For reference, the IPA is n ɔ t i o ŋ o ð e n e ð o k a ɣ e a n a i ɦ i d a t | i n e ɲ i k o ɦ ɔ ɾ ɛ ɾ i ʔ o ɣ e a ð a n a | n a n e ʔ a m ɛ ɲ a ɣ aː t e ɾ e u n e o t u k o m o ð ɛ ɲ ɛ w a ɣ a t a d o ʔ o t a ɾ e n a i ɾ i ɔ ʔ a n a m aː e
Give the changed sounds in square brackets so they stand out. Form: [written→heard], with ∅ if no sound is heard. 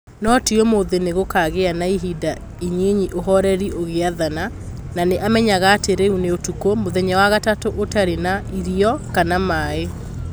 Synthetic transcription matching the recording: n ɔ t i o [ŋ→m] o ð e n e [ð→ɣ] o k a ɣ e a n a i ɦ i d a [t→∅] | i [n→ɲ] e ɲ i [k→ʔ] o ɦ ɔ ɾ ɛ ɾ i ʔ o ɣ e a ð a n a | n a n e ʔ a m ɛ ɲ a ɣ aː t e ɾ e u n e o t u k o m o ð ɛ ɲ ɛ w a ɣ a t a [d→t] o ʔ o t a ɾ e n a i ɾ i ɔ [ʔ→k] a n a m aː e